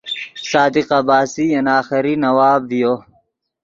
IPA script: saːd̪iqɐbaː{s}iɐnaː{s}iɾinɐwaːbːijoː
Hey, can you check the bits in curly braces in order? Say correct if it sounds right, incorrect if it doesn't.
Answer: correct, incorrect: x

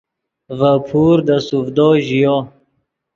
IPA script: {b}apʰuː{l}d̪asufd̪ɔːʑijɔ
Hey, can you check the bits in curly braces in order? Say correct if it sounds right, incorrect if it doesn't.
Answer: incorrect: v, incorrect: ɾ

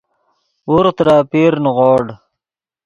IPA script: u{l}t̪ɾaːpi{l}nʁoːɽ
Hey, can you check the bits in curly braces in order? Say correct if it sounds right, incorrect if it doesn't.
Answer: incorrect: ɾ, incorrect: ɾ

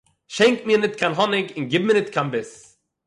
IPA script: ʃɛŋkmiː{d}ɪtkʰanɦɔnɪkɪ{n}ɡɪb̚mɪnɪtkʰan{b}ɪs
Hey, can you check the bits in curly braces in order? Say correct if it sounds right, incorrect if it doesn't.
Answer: incorrect: n, correct, correct

